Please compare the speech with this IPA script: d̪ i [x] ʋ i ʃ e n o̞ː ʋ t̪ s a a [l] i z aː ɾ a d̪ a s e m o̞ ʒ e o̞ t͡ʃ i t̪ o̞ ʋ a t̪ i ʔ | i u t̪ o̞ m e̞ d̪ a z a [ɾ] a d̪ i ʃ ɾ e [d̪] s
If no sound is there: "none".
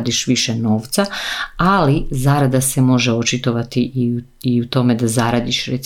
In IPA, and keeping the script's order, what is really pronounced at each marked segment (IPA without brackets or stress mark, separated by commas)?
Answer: ʃ, l, ɾ, t̪